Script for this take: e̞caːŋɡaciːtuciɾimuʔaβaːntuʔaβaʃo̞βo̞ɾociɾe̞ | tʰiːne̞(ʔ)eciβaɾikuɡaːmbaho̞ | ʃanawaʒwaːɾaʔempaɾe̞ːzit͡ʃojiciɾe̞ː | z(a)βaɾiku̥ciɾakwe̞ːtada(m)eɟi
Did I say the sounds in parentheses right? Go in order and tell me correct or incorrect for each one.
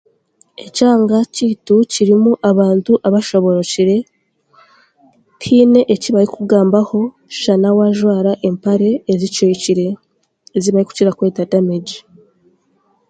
correct, incorrect: i, correct

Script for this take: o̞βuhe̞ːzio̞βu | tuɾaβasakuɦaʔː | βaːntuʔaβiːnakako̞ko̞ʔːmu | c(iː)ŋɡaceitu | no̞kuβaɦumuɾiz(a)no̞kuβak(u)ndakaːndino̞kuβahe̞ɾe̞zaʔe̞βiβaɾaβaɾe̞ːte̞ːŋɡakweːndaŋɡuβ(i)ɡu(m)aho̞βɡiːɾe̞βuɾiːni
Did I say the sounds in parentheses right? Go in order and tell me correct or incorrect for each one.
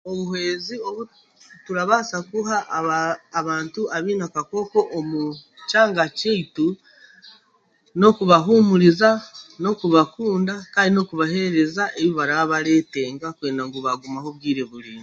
incorrect: aː, correct, incorrect: uː, incorrect: a, correct

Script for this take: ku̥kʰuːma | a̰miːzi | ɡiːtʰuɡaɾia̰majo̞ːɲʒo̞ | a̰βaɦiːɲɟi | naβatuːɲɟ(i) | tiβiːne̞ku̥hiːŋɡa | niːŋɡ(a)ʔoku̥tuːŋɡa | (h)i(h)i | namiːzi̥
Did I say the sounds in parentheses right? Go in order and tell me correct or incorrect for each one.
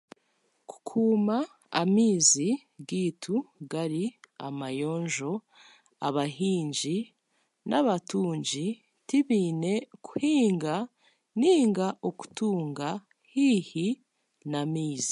correct, correct, correct, correct

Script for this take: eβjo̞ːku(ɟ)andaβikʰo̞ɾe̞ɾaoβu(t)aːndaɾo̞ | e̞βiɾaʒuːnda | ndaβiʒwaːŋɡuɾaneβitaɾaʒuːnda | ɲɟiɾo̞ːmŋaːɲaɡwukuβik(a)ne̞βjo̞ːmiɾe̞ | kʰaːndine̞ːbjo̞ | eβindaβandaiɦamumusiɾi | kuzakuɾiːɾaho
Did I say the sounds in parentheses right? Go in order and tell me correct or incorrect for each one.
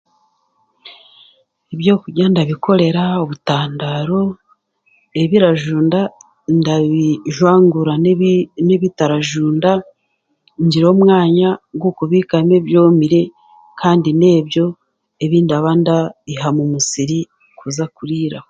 correct, correct, correct

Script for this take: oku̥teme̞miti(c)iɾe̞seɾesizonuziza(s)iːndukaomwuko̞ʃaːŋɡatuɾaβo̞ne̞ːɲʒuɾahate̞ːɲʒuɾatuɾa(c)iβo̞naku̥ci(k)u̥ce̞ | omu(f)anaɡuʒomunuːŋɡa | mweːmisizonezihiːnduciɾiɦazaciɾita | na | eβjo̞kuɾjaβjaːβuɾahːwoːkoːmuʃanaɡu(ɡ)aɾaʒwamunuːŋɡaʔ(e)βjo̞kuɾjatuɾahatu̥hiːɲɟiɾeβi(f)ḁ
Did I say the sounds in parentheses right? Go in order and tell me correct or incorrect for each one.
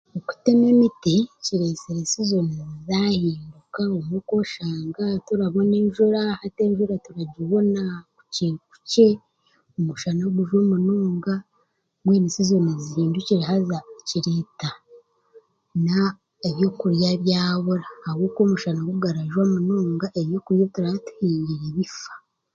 correct, incorrect: h, incorrect: ɟ, correct, incorrect: ʃ, correct, correct, correct

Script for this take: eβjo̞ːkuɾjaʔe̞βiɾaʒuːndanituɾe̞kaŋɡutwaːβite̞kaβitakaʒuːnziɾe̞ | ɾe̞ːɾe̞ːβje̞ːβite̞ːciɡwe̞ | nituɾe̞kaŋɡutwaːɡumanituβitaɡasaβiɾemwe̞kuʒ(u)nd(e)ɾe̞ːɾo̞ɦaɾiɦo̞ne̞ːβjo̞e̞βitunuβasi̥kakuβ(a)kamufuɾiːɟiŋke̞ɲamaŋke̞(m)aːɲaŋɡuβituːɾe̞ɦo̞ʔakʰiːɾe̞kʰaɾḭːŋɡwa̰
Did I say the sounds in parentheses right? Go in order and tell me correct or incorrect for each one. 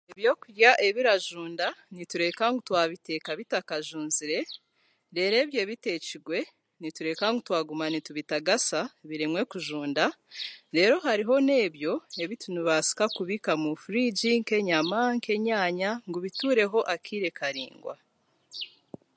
incorrect: uː, incorrect: a, incorrect: i, incorrect: ɲ

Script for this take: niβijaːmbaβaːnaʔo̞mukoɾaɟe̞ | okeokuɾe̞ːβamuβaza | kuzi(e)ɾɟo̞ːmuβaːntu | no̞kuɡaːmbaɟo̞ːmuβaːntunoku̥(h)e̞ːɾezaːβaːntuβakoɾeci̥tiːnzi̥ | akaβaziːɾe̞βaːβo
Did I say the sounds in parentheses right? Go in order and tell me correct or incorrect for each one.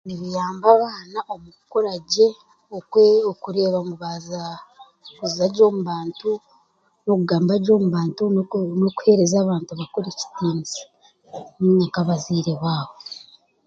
incorrect: a, correct

